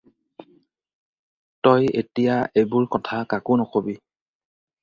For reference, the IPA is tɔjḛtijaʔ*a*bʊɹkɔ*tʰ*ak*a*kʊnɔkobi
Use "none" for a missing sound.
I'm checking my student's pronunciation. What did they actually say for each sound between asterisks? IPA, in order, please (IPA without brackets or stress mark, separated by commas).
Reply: e, tʰ, a